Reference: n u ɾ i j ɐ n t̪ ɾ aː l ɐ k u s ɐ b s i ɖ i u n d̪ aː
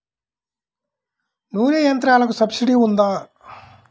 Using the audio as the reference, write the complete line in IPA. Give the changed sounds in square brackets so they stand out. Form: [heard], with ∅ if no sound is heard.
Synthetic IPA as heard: n [uː] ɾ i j ɐ n t̪ ɾ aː l ɐ k u s ɐ b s i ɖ i u n d̪ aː